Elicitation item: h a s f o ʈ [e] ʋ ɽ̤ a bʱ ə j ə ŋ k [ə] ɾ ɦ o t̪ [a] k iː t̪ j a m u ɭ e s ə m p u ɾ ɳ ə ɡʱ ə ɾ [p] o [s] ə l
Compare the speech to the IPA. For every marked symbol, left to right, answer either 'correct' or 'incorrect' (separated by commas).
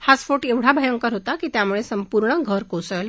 correct, correct, correct, incorrect, correct